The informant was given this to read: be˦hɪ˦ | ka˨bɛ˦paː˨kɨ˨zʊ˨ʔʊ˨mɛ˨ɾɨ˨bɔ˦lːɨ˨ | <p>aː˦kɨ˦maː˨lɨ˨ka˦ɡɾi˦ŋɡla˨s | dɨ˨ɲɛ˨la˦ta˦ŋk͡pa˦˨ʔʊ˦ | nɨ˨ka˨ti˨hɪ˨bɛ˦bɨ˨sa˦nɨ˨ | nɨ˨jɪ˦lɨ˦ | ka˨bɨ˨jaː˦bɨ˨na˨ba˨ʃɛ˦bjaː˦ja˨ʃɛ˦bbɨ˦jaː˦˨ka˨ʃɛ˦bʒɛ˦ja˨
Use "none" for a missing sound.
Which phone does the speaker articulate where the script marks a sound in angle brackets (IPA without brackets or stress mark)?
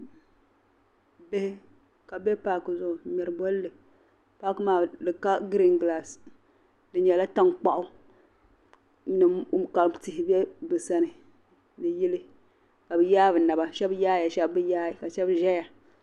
p